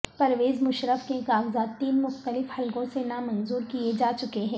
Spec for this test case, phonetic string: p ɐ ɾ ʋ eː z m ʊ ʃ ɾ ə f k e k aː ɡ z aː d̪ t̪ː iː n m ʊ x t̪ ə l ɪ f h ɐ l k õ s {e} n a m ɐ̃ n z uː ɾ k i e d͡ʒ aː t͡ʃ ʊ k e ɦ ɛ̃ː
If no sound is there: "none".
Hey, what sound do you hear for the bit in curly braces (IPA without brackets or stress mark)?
e